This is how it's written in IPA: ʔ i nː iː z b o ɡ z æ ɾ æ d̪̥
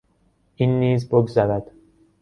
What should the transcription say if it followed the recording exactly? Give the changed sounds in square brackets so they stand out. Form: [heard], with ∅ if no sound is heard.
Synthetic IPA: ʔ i nː iː z b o ɡ z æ ɾ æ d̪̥